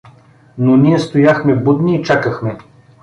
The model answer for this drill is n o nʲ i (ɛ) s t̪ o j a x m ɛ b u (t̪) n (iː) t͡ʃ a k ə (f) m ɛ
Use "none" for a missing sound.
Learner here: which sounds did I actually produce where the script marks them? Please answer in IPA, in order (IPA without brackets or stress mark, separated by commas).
ɛ, d̪, iː, x